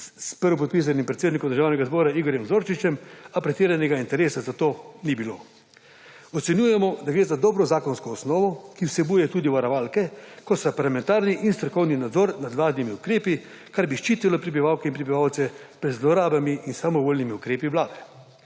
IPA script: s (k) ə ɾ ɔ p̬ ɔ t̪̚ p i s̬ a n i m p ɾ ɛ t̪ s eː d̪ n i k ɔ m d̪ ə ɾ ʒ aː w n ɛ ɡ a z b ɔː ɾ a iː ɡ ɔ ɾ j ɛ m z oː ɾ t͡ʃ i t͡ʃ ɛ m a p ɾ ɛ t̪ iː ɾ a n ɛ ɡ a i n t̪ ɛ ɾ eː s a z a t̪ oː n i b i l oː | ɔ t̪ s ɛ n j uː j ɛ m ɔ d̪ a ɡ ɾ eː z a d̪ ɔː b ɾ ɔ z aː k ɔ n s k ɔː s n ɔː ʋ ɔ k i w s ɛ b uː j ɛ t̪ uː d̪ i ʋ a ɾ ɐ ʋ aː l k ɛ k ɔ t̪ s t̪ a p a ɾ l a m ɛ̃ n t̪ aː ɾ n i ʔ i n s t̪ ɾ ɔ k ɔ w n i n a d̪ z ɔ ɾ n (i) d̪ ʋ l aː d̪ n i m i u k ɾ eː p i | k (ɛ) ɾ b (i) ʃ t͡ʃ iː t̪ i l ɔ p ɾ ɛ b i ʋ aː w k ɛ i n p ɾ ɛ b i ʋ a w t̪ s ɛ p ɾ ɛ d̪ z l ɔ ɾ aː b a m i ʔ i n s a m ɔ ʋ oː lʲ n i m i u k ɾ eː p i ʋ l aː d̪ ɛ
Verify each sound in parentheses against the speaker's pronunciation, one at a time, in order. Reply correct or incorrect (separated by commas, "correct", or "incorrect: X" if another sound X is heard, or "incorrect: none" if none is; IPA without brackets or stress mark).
incorrect: p, incorrect: a, incorrect: a, correct